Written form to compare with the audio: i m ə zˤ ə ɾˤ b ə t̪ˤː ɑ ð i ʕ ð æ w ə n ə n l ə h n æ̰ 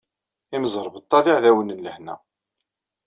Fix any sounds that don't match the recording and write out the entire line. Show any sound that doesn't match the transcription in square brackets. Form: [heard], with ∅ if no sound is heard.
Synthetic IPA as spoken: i m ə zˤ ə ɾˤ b ə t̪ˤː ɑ ð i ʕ ð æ w ə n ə n l ə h n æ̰